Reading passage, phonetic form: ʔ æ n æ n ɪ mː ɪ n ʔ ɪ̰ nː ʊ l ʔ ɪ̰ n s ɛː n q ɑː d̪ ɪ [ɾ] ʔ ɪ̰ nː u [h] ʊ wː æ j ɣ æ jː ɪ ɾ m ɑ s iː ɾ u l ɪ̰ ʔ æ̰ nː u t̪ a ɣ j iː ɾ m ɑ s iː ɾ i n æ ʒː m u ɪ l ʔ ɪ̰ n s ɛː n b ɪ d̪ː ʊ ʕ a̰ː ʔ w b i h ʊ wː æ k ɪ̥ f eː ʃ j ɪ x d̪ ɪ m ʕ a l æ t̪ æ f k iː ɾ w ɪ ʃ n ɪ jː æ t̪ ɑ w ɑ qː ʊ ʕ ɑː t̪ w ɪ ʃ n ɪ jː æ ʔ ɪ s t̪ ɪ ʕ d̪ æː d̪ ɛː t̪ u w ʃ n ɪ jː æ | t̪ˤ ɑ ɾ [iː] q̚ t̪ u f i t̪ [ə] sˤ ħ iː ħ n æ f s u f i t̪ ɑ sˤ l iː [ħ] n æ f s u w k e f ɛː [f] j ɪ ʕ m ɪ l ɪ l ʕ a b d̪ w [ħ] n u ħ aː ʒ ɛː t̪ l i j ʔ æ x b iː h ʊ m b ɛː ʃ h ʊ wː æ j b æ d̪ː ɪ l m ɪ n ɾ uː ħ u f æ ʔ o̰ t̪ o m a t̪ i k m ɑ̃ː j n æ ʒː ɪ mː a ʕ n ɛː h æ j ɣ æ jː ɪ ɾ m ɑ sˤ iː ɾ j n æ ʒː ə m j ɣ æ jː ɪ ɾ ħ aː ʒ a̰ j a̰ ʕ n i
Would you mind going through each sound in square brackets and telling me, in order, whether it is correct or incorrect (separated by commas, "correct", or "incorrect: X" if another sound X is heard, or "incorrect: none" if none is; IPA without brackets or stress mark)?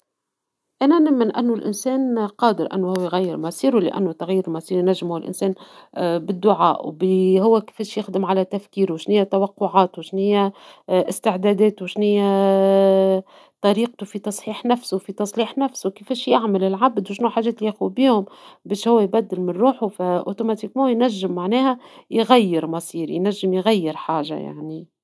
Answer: correct, correct, correct, incorrect: ɑ, correct, incorrect: ʃ, incorrect: ʃ